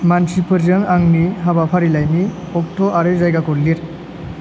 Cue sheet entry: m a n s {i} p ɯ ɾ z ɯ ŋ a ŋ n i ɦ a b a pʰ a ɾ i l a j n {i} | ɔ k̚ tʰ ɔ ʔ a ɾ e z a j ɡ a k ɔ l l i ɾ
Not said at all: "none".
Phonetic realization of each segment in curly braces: i, i

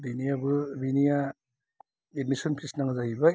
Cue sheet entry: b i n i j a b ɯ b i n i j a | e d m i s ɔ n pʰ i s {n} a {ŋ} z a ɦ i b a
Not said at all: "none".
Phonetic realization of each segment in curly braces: n, ŋ

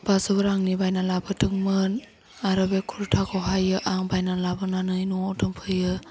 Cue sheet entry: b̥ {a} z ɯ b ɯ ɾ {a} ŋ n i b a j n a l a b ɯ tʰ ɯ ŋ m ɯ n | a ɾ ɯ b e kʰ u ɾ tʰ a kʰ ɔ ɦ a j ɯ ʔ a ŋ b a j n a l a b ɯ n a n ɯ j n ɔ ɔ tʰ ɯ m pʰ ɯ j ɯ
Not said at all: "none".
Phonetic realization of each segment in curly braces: a, a

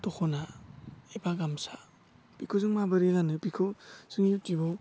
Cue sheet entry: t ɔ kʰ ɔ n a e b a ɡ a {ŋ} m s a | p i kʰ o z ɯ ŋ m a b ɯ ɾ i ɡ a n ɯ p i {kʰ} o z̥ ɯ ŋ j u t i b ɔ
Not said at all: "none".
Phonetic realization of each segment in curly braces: none, kʰ

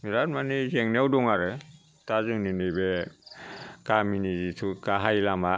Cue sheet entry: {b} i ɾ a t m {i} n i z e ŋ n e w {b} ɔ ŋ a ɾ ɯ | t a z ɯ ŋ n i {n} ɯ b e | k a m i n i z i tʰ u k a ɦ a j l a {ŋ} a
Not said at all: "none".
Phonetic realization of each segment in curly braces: m, a, d, n, m

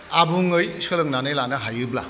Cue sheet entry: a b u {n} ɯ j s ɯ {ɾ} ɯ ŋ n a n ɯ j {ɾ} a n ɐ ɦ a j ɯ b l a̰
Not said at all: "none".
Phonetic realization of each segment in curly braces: ŋ, l, l

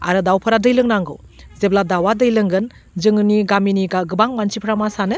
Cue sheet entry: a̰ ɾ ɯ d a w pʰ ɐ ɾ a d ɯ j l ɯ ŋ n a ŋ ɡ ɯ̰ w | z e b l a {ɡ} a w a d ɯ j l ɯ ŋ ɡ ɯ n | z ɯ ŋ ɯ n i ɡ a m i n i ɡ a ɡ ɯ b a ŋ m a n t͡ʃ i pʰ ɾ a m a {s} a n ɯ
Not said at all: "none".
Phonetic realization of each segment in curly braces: d, s

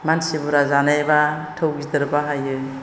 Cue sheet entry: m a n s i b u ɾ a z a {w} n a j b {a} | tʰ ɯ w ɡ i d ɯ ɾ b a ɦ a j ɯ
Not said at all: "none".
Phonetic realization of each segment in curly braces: none, a

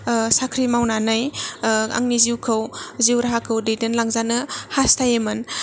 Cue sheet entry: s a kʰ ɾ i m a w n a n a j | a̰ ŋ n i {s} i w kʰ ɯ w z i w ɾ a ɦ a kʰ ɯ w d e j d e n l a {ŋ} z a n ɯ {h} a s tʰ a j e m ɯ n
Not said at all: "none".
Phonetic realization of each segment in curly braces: z, ŋ, h

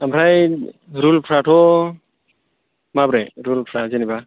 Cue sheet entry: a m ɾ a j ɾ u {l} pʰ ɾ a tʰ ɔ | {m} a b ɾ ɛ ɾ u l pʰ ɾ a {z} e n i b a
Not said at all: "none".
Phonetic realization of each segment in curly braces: l, m, z

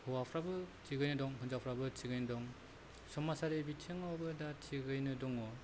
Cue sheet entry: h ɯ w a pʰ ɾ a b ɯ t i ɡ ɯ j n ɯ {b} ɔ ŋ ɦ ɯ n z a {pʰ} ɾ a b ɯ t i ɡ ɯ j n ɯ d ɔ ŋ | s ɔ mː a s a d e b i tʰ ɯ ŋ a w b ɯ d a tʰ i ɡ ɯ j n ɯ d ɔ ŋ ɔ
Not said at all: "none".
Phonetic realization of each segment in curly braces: d, pʰ

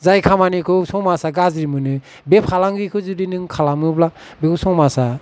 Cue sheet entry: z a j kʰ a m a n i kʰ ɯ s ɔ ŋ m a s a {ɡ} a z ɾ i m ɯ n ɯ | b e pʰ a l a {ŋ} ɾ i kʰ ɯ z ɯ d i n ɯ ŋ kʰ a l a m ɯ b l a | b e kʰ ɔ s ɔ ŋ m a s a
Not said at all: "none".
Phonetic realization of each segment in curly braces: ɡ, ŋ

